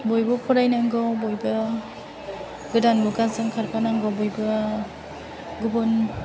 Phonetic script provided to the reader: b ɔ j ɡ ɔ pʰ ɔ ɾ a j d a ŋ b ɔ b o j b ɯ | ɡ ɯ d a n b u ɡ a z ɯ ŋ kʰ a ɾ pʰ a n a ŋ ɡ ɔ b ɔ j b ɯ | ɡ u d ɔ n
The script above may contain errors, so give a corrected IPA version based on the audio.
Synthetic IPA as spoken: b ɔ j b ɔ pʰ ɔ ɾ a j n a ŋ ɡ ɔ b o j b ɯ | ɡ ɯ d a n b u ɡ a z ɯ ŋ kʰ a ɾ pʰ a n a ŋ ɡ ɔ b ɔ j b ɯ | ɡ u b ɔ n

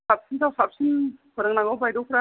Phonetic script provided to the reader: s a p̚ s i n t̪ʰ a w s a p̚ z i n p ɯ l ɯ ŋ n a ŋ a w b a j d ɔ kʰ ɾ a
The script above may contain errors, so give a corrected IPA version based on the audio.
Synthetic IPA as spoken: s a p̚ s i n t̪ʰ a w s a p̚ s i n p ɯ ɾ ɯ ŋ n a ŋ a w b a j d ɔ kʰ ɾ a

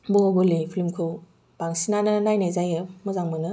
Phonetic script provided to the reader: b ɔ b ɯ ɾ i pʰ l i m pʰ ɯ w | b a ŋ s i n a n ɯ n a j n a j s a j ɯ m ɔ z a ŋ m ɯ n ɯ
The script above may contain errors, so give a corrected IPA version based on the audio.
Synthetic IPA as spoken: b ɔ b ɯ l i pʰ l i m kʰ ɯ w | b a ŋ s i n a n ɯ n a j n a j z a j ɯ m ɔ z a ŋ m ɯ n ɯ

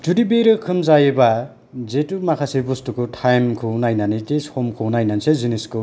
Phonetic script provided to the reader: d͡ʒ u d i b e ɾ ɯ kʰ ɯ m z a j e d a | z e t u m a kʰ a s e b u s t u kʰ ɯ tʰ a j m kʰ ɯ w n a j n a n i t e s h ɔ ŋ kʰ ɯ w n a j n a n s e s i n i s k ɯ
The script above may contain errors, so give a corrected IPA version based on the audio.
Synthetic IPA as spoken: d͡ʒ u d i b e ɾ ɯ kʰ ɯ m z a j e b a | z e t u m a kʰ a s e b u s t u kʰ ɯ tʰ a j m kʰ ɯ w n a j n a n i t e s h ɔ m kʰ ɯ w n a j n a n s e z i n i s k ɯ

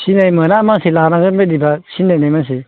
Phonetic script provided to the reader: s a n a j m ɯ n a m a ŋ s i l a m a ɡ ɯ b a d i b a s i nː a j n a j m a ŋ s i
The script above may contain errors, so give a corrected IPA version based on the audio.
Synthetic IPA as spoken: s i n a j m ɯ n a m a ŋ s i l a n a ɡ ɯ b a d i b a s i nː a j n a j m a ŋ s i

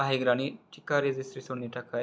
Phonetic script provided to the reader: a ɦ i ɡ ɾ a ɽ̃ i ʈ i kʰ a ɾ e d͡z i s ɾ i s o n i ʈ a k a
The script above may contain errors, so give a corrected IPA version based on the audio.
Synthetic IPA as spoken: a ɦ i ɡ ɾ a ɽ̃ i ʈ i k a ɾ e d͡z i s ɾ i s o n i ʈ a k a

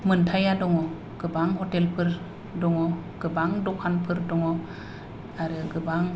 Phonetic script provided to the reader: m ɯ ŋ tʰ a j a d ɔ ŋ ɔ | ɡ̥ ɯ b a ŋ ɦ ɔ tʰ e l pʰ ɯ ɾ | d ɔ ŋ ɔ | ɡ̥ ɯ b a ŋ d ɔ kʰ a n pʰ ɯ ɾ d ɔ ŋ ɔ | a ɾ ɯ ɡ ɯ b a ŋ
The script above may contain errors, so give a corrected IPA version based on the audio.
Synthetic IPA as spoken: m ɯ n tʰ a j a d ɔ ŋ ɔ | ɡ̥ ɯ b a ŋ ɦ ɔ t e l pʰ ɯ ɾ | d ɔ ŋ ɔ | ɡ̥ ɯ b a ŋ d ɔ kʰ a n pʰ ɯ ɾ d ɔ ŋ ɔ | a ɾ ɯ ɡ ɯ b a ŋ

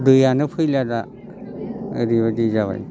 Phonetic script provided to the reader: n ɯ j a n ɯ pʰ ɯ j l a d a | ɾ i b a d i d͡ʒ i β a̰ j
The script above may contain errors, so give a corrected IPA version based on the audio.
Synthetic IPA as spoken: d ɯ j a n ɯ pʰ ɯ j l a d a | ɾ i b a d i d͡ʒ a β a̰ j

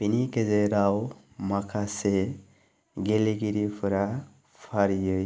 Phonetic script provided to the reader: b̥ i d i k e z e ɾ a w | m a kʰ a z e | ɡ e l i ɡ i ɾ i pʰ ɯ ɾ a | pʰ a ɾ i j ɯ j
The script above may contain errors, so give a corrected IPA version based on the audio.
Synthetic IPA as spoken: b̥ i n i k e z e ɾ a w | m a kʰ a s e | ɡ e l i ɡ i ɾ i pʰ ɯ ɾ a | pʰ a ɾ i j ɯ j

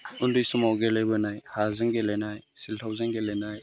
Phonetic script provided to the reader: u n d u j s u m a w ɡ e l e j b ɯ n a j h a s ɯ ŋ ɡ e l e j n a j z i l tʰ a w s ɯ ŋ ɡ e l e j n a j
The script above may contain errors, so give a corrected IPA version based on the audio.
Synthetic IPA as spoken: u n d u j s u m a w ɡ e l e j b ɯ n a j h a z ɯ ŋ ɡ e l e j n a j s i l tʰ a w z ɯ ŋ ɡ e l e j n a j

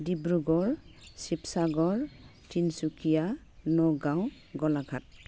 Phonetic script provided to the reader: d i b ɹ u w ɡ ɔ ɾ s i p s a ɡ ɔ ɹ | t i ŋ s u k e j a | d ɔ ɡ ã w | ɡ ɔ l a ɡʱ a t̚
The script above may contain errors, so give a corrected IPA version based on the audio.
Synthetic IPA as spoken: d i b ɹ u ɡ ɔ ɹ s i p s a ɡ ɔ ɹ | t i n s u k i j a | n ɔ ɡ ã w | ɡ ɔ l a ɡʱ a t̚

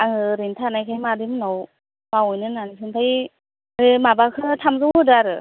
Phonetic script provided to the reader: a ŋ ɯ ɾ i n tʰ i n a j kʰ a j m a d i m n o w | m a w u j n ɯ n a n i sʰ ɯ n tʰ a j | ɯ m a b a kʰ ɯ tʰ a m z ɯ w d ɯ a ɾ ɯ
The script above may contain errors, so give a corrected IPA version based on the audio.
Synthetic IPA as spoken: a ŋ ɯ ɾ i n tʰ a n a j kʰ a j m a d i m n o w | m a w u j n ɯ n a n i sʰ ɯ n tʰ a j | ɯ m a b a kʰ ɯ tʰ a m z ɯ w d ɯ a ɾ ɯ

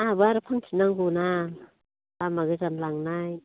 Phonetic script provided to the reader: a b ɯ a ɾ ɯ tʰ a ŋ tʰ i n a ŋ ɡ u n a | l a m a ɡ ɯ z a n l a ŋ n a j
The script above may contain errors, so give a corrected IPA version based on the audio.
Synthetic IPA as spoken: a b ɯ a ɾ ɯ pʰ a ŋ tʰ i n a ŋ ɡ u n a | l a m a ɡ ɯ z a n l a ŋ n a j

